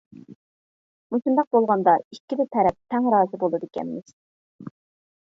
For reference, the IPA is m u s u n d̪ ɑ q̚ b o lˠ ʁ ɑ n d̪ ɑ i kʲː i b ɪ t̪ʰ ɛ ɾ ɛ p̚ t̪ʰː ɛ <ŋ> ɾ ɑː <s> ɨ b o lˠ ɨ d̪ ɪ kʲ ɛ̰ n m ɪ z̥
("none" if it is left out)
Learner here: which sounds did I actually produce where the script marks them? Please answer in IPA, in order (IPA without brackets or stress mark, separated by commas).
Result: ŋ, z